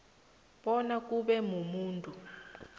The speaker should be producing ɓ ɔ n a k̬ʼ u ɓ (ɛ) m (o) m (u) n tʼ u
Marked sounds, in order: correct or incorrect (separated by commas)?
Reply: correct, incorrect, incorrect